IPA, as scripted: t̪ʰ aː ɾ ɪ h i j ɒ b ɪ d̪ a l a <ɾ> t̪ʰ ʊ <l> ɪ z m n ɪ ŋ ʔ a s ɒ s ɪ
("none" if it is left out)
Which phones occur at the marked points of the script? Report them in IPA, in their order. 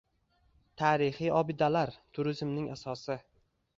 ɾ, ɾ

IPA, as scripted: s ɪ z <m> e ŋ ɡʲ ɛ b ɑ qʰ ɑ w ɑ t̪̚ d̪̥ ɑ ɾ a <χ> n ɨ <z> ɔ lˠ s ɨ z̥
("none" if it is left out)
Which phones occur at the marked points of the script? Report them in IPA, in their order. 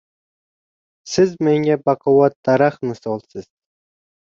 m, χ, s

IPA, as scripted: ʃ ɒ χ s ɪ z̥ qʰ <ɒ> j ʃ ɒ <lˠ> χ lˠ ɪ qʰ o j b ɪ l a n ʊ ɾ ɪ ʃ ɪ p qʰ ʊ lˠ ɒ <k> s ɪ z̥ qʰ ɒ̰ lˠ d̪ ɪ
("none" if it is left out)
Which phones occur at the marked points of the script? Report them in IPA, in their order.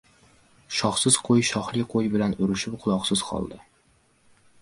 o, none, q

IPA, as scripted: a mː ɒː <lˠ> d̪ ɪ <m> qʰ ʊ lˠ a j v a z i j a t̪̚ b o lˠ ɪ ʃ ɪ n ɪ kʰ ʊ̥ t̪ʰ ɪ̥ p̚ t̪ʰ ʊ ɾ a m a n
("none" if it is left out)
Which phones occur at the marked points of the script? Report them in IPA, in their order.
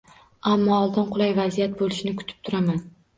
lˠ, n

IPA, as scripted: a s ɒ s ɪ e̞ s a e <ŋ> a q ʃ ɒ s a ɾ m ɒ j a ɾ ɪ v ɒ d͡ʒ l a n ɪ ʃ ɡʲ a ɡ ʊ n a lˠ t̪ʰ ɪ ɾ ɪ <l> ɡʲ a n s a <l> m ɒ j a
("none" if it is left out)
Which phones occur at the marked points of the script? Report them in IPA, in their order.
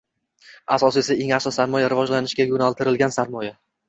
ŋ, l, ɾ

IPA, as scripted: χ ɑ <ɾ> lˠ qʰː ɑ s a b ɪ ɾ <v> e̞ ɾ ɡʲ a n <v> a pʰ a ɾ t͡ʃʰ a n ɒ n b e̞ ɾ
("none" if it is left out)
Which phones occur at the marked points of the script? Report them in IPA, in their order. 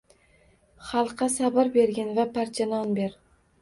none, b, v

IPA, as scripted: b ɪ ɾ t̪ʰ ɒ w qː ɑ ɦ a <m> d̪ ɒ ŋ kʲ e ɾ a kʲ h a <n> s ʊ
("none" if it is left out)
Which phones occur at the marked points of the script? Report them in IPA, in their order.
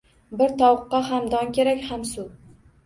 m, m

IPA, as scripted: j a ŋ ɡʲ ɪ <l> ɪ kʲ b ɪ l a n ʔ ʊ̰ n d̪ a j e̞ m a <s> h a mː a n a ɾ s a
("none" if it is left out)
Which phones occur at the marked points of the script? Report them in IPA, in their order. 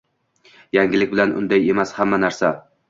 l, s

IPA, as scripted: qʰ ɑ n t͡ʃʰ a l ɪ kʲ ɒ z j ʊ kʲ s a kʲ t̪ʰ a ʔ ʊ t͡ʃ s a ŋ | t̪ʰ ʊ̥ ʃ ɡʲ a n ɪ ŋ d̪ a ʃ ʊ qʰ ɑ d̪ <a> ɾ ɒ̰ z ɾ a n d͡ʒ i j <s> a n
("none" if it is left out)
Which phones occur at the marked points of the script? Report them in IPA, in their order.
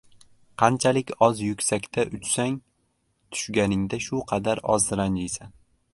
a, s

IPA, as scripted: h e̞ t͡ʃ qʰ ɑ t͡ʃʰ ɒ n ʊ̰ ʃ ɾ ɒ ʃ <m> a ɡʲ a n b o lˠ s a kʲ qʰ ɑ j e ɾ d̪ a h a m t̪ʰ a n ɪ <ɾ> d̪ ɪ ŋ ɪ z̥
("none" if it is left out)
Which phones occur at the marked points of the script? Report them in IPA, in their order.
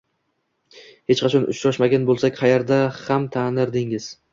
m, ɾ

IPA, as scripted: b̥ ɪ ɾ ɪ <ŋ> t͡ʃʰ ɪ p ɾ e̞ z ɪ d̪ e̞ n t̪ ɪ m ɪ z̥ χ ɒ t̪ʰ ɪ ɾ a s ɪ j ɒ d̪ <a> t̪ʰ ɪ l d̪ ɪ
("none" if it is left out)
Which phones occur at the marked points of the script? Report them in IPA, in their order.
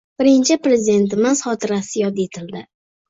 n, e

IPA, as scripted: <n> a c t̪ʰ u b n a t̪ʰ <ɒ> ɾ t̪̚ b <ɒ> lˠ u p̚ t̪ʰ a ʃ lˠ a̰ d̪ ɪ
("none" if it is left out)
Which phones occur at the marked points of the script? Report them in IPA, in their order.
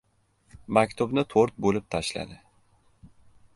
m, o, o

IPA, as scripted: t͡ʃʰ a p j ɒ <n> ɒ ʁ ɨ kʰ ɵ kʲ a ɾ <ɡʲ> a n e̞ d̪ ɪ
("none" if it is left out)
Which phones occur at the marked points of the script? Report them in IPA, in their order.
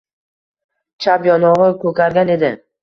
n, ɡʲ

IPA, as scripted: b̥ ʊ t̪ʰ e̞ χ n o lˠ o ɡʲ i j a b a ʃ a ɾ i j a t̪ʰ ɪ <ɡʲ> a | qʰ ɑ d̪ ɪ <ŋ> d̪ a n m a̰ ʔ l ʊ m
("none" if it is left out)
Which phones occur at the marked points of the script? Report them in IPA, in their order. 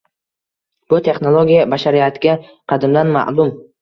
ɡʲ, m

